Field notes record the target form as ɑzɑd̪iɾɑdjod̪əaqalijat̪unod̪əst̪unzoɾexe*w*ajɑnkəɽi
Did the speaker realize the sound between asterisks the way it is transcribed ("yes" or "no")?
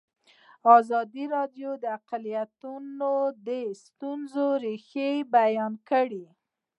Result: no